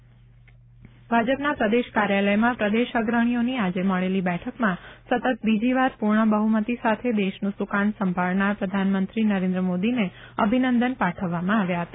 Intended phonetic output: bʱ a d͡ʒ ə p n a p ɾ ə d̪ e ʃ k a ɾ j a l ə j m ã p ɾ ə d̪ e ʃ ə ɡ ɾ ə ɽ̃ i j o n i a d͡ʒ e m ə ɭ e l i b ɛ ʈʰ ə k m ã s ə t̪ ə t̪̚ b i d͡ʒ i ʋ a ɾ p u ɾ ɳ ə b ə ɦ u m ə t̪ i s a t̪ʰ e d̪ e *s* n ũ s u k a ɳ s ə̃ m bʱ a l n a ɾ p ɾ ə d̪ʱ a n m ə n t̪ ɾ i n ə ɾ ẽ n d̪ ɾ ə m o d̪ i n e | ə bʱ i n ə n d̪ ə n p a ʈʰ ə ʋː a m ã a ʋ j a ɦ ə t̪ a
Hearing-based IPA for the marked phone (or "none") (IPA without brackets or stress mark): ʃ